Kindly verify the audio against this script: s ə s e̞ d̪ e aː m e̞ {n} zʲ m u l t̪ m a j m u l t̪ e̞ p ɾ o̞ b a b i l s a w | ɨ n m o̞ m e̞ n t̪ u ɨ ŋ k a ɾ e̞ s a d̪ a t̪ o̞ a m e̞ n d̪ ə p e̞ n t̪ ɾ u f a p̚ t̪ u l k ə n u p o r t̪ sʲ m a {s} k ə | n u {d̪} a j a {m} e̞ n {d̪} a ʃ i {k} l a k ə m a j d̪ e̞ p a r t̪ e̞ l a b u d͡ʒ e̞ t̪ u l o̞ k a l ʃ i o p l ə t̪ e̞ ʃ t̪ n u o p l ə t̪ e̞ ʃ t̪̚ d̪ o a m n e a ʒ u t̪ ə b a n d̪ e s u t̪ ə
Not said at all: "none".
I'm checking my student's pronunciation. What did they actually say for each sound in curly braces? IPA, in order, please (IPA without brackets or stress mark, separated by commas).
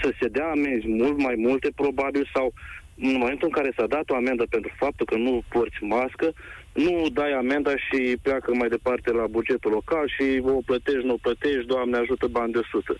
n, s, d̪, m, d̪, p